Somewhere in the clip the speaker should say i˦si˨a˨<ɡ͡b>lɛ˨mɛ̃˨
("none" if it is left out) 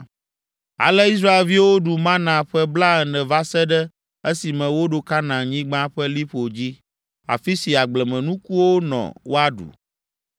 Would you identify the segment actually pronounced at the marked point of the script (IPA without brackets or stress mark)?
ɡ͡b